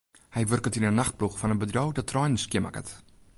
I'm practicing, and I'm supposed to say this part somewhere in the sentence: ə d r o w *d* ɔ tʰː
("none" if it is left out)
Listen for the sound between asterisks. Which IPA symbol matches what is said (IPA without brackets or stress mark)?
d